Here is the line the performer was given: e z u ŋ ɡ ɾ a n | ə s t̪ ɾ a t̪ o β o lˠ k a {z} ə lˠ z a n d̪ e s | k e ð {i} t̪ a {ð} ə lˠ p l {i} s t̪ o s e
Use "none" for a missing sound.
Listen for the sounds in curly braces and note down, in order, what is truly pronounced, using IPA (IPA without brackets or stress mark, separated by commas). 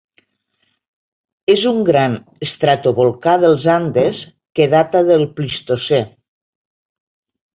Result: ð, a, ð, i